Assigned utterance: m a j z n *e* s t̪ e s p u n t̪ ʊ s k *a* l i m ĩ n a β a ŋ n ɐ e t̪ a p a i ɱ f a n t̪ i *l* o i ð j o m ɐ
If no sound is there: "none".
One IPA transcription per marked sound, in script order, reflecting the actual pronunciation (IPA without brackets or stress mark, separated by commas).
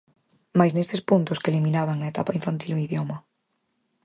e, e, l